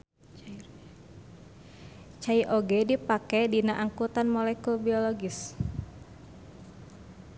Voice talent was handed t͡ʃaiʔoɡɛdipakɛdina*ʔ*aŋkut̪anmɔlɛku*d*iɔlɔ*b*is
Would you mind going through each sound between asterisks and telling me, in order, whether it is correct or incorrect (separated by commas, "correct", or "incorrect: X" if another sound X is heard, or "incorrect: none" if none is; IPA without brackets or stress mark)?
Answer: correct, incorrect: b, incorrect: ɡ